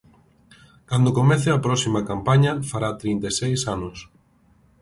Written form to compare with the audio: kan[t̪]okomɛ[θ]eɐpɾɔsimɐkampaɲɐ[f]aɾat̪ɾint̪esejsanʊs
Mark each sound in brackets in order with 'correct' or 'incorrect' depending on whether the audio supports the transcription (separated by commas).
incorrect, correct, correct